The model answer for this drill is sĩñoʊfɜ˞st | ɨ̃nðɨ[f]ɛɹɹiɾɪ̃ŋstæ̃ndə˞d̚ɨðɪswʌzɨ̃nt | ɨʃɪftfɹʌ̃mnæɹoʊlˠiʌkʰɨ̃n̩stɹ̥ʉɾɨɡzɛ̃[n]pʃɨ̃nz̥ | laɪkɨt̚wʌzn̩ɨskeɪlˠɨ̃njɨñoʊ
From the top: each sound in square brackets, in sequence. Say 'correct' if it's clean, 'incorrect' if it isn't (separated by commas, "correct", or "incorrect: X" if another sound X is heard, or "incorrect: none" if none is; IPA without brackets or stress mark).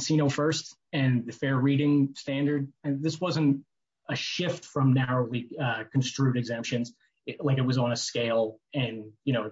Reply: correct, incorrect: m